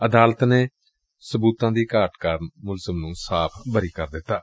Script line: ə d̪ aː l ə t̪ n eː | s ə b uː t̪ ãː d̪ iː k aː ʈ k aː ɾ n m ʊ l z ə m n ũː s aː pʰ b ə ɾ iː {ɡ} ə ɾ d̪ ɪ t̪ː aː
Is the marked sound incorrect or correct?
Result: incorrect